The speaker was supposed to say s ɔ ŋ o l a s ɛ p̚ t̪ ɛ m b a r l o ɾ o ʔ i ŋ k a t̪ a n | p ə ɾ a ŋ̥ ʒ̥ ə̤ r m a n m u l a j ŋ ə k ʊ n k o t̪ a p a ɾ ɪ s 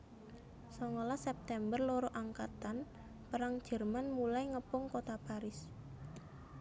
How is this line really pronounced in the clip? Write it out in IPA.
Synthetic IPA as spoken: s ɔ ŋ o l a s ɛ p̚ t̪ ɛ m b ə r l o ɾ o ʔ a ŋ k a t̪ a n | p ə ɾ a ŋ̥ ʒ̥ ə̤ r m a n m u l a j ŋ ə p ʊ ŋ k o t̪ a p a ɾ ɪ s